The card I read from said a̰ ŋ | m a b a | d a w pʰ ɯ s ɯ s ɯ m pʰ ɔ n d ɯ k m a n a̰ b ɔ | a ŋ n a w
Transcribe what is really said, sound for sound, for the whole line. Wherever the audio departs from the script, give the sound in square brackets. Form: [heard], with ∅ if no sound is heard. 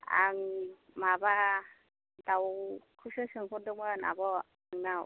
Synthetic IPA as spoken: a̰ ŋ | m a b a | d a w [kʰ] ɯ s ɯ s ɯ [ŋ] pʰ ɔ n d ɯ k m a n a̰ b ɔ | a ŋ n a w